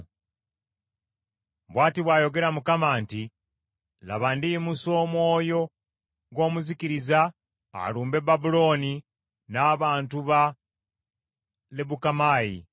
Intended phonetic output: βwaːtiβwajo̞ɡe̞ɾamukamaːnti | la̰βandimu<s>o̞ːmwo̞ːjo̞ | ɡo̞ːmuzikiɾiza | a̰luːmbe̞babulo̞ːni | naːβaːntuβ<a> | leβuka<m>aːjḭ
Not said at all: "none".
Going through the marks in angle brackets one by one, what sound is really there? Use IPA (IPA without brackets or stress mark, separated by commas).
s, a, m